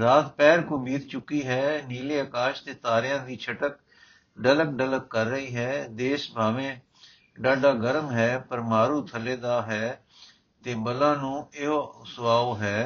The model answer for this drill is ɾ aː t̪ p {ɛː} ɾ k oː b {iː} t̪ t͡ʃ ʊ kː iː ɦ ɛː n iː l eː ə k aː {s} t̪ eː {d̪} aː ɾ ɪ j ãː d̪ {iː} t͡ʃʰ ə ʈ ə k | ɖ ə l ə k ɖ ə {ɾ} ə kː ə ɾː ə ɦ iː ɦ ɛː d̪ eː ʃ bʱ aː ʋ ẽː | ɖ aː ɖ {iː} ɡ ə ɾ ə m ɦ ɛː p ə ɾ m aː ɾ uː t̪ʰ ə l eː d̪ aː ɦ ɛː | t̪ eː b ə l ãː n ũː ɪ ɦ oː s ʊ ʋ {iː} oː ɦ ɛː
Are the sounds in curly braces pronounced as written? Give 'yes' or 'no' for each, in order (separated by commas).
yes, yes, no, no, yes, no, no, no